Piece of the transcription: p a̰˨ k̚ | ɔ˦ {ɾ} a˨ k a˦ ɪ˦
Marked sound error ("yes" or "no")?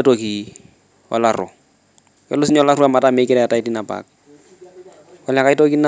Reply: yes